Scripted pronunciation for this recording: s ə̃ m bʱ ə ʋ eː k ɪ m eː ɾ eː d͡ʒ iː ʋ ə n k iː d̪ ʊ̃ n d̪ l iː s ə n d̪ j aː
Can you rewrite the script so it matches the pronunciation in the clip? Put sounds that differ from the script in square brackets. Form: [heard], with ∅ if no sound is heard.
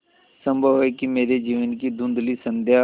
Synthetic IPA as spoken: s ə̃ m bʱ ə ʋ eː k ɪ m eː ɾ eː d͡ʒ iː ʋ ə n k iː d̪ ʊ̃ n d̪ l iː s ə n d̪ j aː